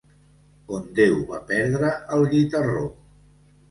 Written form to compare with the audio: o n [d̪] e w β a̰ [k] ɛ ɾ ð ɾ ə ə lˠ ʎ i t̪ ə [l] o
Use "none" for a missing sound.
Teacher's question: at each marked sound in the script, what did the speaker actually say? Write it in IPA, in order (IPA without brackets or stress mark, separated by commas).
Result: d̪, p, r